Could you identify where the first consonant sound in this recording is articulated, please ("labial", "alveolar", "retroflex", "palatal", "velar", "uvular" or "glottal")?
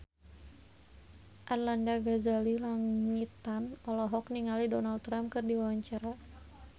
glottal